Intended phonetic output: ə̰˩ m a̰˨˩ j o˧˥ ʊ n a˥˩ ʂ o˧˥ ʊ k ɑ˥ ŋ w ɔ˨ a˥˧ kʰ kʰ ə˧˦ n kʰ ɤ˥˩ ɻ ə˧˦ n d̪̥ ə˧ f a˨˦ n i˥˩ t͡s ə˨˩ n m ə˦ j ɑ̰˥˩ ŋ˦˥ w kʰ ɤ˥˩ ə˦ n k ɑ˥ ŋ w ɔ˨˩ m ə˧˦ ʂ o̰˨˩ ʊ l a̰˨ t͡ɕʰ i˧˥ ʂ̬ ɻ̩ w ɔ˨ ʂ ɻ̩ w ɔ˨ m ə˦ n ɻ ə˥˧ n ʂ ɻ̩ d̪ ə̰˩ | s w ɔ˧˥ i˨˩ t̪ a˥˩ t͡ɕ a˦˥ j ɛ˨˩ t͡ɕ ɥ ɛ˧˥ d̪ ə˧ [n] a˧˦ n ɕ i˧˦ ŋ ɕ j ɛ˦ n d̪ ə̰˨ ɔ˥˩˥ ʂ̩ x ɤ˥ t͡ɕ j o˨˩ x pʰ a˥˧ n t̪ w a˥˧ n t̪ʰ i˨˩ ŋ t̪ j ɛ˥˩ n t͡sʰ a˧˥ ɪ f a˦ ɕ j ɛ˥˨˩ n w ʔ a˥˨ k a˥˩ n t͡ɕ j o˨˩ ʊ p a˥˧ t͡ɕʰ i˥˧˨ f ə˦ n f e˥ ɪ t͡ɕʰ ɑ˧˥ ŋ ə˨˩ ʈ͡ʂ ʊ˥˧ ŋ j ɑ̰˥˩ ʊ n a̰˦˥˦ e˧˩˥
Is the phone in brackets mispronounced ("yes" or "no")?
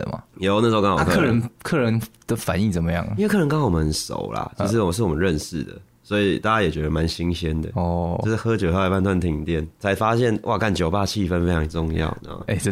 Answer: yes